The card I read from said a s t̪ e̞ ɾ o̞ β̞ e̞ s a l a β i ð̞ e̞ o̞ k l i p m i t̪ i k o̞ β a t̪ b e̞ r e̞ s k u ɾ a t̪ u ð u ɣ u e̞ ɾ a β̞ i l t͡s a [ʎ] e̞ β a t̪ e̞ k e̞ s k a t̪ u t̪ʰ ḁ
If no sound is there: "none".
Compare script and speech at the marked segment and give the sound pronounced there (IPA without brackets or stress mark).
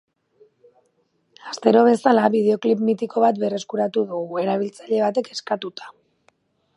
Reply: ʎ